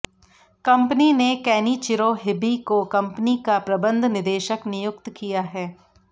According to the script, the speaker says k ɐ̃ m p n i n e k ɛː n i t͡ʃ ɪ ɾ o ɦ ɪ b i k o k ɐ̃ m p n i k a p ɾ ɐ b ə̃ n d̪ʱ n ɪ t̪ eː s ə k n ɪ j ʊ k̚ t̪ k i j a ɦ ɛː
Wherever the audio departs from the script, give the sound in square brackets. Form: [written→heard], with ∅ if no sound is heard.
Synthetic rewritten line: k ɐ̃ m p n i n e k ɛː n i t͡ʃ ɪ ɾ o ɦ ɪ b i k o k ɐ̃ m p n i k a p ɾ ɐ b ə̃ n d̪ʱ n ɪ [t̪→d̪] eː [s→ʃ] ə k n ɪ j ʊ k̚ t̪ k i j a ɦ ɛː

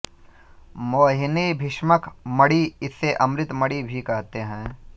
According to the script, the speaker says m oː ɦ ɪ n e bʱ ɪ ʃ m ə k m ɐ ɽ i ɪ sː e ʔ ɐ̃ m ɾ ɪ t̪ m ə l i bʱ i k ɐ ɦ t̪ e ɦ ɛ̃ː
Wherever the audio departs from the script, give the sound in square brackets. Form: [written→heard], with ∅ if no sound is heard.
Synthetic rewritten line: m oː ɦ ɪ n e bʱ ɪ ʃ m ə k m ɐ ɽ i ɪ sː e ʔ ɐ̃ m ɾ ɪ t̪ m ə [l→ɽ] i bʱ i k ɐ ɦ t̪ e ɦ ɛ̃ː

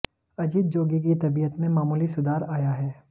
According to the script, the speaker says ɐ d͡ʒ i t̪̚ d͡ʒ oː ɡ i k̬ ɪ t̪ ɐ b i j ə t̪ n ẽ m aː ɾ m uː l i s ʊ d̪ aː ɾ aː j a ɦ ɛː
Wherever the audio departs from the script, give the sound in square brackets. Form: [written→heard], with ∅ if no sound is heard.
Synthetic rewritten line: ɐ d͡ʒ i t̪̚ d͡ʒ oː ɡ i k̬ [ɪ→i] t̪ ɐ b i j ə t̪ [n→m] ẽ m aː [ɾ→∅] m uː l i s ʊ d̪ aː ɾ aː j a ɦ ɛː

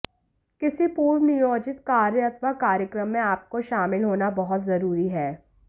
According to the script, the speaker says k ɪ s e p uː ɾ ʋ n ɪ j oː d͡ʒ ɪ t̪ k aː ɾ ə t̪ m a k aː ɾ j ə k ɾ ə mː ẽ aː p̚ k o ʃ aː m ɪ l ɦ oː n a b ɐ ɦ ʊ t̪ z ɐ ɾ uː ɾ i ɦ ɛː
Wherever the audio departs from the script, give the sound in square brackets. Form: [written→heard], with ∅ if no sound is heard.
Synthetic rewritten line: k ɪ s [e→i] p uː ɾ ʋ n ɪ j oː d͡ʒ ɪ t̪ k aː ɾ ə t̪ m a k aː ɾ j ə k ɾ ə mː ẽ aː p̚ k o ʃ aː m ɪ l ɦ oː n a b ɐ ɦ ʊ t̪ z ɐ ɾ uː ɾ i ɦ ɛː

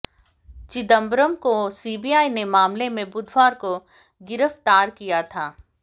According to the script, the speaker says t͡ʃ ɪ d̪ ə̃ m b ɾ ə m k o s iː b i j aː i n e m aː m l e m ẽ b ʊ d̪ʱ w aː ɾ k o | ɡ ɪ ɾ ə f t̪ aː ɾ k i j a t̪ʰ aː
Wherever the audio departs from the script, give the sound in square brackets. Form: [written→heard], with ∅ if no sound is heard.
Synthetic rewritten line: t͡ʃ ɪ d̪ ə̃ m b ɾ ə m k o s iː b i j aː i n e m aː m l e m ẽ b ʊ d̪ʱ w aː ɾ k o | ɡ ɪ ɾ ə f t̪ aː ɾ k i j a t̪ʰ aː

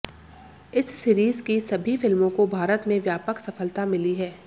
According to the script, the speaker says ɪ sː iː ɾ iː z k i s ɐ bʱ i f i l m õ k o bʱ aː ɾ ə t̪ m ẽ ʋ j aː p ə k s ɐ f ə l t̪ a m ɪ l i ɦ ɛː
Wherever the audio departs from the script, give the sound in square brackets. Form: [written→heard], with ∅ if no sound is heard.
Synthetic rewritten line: ɪ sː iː ɾ iː z k i s ɐ bʱ i f [i→ɪ] l m õ k o bʱ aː ɾ ə t̪ m ẽ ʋ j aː p ə k s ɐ f ə l t̪ a m ɪ l i ɦ ɛː

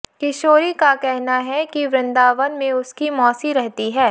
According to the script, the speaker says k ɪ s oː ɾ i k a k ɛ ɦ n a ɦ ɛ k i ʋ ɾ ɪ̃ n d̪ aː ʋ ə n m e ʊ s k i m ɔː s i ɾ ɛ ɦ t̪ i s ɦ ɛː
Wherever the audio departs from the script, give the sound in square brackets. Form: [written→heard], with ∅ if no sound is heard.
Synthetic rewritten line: k ɪ [s→ʃ] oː ɾ i k a k ɛ ɦ n a ɦ ɛ k i ʋ ɾ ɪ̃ n d̪ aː ʋ ə n m [e→ẽ] ʊ s k i m ɔː s i ɾ ɛ ɦ t̪ i [s→∅] ɦ ɛː

